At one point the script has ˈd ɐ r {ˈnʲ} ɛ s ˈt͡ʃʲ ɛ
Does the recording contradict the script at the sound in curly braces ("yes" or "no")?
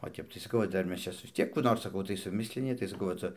yes